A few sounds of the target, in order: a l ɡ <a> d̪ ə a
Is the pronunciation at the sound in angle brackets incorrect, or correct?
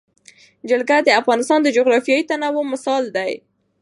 correct